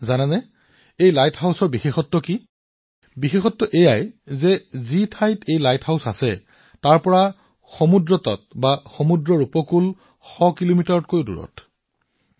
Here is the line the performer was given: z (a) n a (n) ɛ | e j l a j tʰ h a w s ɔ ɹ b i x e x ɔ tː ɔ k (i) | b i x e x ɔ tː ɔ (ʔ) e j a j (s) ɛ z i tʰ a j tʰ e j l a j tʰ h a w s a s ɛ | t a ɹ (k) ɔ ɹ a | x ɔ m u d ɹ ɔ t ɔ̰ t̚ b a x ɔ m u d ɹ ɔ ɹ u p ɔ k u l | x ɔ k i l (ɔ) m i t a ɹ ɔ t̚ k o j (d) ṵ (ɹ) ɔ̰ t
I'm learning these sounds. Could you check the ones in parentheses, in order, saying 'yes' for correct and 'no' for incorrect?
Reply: yes, yes, yes, yes, no, no, no, yes, yes

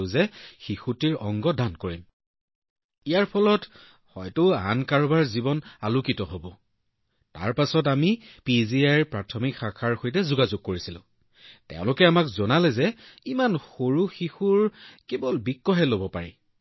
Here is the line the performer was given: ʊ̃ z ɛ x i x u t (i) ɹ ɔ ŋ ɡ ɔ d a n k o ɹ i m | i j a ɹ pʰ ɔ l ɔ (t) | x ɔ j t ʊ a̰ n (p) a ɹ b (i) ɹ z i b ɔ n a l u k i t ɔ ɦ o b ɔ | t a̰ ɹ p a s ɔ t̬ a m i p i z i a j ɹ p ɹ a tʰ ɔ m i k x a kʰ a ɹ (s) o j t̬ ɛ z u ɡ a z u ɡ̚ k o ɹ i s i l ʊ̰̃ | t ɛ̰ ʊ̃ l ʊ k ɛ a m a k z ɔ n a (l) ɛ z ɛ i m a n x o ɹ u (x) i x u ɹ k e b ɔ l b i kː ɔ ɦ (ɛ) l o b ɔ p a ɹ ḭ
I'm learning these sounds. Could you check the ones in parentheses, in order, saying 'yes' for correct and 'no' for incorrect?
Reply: yes, yes, no, no, no, yes, yes, yes

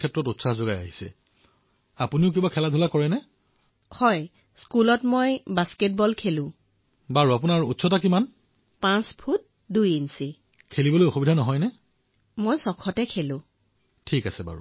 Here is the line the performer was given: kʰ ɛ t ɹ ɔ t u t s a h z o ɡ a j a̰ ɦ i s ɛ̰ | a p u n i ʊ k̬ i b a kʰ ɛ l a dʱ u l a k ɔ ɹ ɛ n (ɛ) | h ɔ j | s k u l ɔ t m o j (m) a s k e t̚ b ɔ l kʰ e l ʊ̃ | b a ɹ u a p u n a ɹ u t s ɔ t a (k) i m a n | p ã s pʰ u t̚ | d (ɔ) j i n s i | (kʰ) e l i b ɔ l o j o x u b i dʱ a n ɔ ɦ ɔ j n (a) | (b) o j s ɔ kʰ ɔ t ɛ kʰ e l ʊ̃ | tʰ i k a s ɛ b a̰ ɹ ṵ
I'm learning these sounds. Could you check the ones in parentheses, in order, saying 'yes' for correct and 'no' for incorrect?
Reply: yes, no, yes, no, yes, no, no

